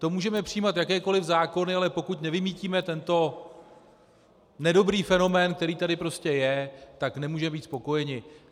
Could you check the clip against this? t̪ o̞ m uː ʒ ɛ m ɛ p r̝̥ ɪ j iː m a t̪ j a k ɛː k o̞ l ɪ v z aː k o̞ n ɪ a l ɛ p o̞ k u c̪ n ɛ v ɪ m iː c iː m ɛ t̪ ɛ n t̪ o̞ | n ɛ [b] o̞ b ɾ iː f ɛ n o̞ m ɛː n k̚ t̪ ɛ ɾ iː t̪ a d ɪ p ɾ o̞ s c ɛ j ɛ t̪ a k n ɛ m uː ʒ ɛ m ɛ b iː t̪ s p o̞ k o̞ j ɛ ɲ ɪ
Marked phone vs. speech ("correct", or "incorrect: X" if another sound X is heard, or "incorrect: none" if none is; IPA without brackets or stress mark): incorrect: d